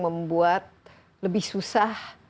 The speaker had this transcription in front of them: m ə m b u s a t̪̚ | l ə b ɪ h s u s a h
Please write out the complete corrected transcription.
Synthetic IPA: m ə m b u a t̪̚ | l ə b ɪ h s u s a h